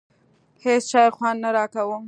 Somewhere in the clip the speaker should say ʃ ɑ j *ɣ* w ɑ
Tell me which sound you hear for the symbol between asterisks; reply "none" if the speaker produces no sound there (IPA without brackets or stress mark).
x